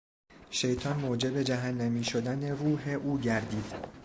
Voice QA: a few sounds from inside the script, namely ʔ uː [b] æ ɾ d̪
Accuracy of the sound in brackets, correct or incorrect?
incorrect